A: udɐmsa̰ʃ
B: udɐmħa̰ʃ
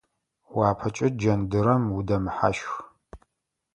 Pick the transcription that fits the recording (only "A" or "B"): B